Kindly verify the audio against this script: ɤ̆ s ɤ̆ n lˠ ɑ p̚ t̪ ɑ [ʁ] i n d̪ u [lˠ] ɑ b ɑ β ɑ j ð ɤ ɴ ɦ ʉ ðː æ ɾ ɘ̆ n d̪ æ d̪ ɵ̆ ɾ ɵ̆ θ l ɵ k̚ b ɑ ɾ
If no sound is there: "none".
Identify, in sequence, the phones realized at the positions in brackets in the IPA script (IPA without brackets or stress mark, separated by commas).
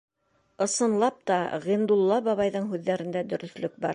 ʁ, lˠː